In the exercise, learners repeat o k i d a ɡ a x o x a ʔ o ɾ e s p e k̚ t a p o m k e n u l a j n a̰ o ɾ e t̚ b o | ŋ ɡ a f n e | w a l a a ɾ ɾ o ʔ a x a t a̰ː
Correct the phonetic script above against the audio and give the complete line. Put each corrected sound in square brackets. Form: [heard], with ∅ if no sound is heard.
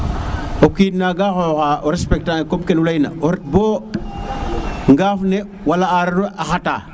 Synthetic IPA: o k i [n] a ɡ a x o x a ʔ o ɾ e s p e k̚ t a [k] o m k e n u l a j n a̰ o ɾ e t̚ b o | ŋ ɡ a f n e | w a l a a ɾ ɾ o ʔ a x a t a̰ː